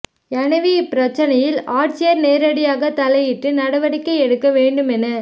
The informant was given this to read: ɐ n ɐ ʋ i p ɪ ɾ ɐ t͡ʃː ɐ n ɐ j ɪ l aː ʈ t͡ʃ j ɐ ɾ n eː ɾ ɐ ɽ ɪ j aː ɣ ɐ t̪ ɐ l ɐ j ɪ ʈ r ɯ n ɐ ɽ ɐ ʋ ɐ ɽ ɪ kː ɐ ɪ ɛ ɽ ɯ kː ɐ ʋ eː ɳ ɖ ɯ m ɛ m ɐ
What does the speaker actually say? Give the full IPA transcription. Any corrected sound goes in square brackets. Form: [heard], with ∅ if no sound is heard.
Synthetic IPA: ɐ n ɐ ʋ i p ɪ ɾ ɐ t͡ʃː ɐ n ɐ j ɪ l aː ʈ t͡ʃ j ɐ ɾ n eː ɾ ɐ ɽ ɪ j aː ɣ ɐ t̪ ɐ l ɐ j ɪ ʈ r ɯ n ɐ ɽ ɐ ʋ ɐ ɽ ɪ kː ɐ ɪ ɛ ɽ ɯ kː ɐ ʋ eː ɳ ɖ ɯ m ɛ [n] ɐ